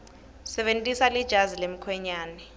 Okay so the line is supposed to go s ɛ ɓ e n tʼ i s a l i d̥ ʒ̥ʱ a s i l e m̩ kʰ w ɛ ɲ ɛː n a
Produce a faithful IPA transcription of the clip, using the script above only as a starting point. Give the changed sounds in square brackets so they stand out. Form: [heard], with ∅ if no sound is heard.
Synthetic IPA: s ɛ ɓ e n tʼ i s a l i d̥ ʒ̥ʱ a [z] i l e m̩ kʰ w ɛ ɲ [aː] n [ɛ]